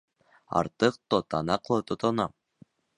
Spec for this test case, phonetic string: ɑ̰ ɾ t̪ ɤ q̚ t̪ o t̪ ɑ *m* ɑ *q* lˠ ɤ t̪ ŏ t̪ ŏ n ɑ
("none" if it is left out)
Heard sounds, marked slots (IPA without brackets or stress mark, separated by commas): n, q